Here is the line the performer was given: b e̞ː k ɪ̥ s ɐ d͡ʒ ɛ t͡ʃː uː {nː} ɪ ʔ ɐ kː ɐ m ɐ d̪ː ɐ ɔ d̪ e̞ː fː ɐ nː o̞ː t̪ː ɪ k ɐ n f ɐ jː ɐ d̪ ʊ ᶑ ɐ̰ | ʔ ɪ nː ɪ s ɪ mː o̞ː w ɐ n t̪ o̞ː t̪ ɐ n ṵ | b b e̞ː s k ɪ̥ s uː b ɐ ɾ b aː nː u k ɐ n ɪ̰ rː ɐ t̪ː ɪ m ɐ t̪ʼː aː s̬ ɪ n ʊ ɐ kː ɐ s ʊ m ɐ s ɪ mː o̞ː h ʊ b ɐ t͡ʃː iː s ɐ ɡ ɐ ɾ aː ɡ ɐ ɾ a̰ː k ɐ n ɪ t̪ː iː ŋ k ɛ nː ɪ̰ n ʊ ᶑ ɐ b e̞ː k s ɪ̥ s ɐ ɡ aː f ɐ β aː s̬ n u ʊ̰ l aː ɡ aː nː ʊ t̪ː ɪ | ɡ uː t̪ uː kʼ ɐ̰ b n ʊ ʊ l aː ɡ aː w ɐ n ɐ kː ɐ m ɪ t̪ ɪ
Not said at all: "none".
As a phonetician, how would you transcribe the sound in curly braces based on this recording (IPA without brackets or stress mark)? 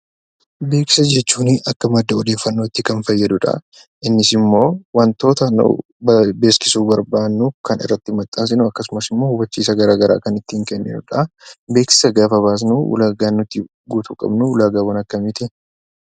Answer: n